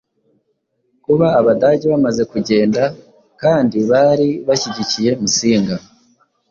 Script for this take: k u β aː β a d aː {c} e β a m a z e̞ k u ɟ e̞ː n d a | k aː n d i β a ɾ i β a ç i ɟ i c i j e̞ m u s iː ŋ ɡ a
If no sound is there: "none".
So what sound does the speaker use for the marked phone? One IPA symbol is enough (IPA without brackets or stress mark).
ɟ